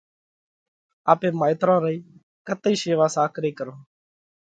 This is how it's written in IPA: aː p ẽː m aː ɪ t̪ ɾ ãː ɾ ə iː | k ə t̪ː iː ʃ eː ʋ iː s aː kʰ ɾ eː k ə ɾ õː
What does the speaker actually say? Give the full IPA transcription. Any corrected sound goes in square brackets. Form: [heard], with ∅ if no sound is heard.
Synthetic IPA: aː p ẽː m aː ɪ t̪ ɾ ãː ɾ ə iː | k ə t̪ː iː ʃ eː ʋ [aː] s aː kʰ ɾ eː k ə ɾ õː